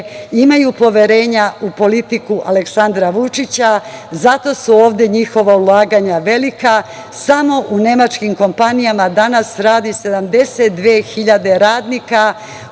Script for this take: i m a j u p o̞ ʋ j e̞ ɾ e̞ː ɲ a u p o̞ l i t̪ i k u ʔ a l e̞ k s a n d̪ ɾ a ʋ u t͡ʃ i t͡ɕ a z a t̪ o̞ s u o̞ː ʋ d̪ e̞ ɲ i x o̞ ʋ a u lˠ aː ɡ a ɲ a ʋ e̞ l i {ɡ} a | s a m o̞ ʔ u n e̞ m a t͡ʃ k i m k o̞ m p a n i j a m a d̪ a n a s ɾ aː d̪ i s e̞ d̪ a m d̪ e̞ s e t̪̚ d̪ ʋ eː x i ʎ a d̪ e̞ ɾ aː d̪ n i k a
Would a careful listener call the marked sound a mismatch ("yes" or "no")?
yes